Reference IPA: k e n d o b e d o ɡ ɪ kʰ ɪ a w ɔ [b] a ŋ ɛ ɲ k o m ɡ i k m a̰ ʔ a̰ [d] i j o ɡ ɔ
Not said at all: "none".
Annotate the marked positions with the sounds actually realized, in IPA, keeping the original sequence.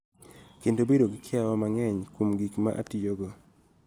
m, t

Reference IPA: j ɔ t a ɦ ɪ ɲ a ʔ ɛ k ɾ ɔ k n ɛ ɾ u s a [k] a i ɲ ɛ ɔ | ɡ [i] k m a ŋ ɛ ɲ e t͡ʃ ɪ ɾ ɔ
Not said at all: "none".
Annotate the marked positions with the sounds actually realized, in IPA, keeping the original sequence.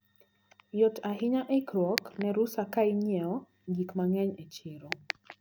k, i

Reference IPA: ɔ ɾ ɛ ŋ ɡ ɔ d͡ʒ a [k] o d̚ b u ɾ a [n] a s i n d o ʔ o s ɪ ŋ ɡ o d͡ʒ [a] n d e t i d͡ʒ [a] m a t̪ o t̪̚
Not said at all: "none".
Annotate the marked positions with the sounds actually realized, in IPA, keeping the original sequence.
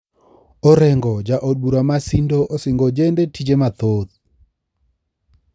ʔ, m, e, e

